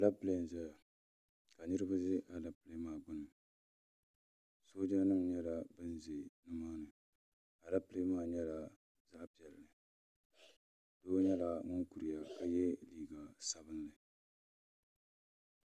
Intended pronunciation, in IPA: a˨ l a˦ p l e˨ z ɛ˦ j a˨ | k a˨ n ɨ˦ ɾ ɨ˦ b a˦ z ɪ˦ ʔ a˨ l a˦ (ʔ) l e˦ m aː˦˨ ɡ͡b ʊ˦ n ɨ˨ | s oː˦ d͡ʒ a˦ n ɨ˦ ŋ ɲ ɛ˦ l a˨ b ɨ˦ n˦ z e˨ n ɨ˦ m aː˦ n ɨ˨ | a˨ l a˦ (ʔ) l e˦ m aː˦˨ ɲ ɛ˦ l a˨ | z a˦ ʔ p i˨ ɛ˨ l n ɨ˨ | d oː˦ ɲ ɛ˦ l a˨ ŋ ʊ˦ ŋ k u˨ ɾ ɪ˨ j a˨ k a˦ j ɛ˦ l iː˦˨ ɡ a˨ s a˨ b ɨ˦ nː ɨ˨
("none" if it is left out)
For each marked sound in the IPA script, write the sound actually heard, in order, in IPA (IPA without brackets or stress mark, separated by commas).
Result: p, p